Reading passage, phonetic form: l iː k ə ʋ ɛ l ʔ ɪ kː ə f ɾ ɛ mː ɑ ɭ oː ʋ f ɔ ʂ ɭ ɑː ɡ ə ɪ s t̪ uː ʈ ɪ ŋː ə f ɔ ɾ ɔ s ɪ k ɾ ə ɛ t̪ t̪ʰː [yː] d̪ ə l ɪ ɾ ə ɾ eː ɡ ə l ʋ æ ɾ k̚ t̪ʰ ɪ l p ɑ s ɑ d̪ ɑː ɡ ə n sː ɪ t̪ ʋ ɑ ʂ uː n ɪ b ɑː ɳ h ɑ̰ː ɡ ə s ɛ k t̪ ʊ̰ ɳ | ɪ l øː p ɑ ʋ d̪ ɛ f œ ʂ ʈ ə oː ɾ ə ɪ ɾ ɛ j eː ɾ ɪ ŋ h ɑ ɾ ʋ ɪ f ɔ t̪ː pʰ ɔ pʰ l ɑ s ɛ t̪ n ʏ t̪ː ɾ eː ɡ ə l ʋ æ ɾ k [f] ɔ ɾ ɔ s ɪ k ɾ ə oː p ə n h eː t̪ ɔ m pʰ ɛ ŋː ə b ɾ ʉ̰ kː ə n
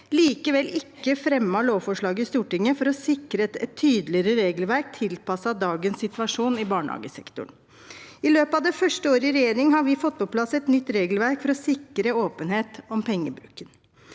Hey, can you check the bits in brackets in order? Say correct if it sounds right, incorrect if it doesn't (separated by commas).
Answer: correct, correct